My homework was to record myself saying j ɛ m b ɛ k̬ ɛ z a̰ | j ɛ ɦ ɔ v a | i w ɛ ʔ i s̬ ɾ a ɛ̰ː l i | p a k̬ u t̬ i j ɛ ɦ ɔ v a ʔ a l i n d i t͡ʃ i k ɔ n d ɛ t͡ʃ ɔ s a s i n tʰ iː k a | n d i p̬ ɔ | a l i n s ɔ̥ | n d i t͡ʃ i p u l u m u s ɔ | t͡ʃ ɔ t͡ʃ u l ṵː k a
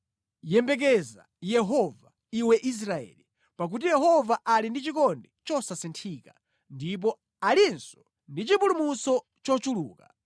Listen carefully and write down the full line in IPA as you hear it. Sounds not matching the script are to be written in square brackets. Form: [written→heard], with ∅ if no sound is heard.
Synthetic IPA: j ɛ m b ɛ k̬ ɛ z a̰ | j ɛ ɦ ɔ v a | i w ɛ ʔ i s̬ ɾ a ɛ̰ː l i | p a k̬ u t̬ i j ɛ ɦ ɔ v a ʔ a l i n d i t͡ʃ i k ɔ n d ɛ t͡ʃ ɔ s a s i n tʰ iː k a | n d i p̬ ɔ | a l i n s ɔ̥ | n d i t͡ʃ i p u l u m u s ɔ | t͡ʃ ɔ t͡ʃ u l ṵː k a